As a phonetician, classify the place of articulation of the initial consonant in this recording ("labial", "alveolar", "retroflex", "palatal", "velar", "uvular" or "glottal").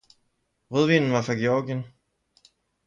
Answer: uvular